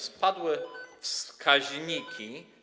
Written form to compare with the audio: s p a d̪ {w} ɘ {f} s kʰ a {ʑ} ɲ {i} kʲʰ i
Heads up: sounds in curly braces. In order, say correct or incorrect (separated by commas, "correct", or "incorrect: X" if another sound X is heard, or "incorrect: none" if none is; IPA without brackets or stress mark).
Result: correct, correct, correct, correct